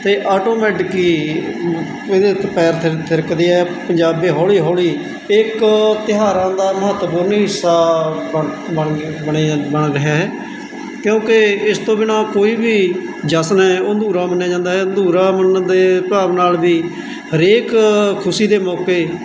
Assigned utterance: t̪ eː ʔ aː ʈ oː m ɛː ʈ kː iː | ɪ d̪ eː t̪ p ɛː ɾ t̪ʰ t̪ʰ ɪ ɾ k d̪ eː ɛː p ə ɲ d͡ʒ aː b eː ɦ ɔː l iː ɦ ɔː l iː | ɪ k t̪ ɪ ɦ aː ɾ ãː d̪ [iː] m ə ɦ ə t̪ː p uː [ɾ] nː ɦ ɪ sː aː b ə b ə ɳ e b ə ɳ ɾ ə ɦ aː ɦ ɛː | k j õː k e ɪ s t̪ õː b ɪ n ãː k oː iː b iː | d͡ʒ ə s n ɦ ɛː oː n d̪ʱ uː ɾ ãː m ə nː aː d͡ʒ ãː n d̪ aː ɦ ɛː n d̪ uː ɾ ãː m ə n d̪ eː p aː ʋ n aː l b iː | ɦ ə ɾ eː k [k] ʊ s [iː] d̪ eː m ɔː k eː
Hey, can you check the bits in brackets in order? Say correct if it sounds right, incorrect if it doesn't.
incorrect: aː, correct, incorrect: kʰ, correct

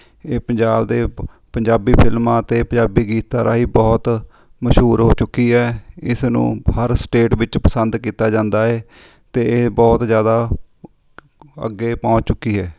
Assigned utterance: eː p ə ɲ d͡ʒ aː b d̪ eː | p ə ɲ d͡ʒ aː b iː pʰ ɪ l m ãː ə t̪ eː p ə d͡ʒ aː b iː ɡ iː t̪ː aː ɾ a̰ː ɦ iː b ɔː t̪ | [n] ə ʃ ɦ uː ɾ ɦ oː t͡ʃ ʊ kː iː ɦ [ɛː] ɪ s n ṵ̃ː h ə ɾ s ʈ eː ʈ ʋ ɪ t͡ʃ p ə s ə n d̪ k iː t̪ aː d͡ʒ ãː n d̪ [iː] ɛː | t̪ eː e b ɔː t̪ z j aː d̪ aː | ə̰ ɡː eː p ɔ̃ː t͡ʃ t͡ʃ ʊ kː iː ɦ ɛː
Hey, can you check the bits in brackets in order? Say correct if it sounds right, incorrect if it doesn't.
incorrect: m, correct, incorrect: aː

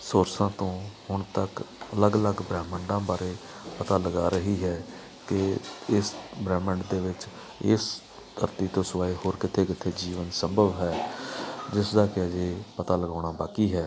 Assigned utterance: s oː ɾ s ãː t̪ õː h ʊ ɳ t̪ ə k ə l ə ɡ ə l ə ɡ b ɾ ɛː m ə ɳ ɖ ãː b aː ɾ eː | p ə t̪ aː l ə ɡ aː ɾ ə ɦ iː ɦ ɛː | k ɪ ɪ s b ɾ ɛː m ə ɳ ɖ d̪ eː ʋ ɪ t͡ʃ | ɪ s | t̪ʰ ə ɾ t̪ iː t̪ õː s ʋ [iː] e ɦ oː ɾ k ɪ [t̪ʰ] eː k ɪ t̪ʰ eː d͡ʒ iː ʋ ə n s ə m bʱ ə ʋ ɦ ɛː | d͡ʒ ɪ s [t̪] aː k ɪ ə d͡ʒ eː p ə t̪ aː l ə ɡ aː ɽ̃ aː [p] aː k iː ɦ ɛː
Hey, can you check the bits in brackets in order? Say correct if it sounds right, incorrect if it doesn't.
incorrect: aː, correct, incorrect: d̪, incorrect: b

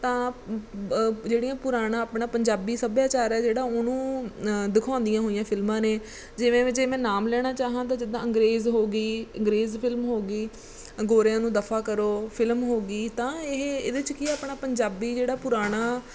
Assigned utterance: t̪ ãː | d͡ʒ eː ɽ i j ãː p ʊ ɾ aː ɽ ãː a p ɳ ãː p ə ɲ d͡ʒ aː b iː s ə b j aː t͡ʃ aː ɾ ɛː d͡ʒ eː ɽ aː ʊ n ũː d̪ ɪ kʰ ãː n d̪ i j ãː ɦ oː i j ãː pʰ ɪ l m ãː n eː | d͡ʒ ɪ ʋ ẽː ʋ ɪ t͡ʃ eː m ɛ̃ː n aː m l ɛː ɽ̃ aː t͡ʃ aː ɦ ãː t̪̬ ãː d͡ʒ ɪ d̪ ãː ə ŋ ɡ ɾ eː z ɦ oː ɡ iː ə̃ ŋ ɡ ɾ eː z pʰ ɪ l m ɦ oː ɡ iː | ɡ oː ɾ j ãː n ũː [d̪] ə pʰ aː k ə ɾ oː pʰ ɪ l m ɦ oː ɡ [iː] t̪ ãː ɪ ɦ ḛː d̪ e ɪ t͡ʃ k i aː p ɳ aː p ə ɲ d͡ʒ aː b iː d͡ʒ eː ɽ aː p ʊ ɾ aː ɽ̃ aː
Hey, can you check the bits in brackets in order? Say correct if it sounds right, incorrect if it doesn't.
correct, correct

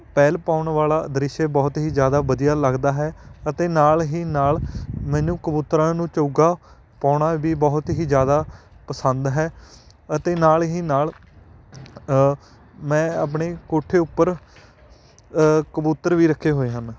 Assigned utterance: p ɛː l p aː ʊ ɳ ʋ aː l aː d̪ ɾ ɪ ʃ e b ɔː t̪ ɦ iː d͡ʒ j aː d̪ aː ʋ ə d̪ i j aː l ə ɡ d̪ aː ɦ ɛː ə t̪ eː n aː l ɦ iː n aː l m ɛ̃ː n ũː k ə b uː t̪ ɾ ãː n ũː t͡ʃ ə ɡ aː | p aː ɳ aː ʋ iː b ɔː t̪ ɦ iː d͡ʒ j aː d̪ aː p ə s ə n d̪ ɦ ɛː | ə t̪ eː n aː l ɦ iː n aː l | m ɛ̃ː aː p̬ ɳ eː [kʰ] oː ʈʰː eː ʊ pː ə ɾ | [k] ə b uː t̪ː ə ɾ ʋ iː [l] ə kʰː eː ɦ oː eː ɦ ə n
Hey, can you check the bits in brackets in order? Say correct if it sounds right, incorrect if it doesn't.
incorrect: k, correct, incorrect: ɾ

